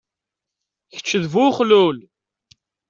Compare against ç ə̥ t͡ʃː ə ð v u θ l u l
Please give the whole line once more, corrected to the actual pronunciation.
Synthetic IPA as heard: ç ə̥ t͡ʃː ə ð v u χ l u l